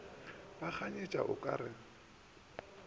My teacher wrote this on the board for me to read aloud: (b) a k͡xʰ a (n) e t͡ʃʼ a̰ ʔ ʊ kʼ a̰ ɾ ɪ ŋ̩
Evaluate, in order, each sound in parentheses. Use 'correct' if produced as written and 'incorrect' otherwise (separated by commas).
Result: correct, incorrect